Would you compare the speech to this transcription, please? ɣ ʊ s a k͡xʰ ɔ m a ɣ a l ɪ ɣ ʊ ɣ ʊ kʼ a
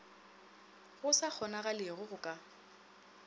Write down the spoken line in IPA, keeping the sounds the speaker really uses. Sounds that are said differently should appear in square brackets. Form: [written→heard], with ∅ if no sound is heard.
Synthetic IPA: ɣ ʊ s a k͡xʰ ɔ [m→n] a ɣ a l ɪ ɣ ʊ ɣ ʊ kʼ a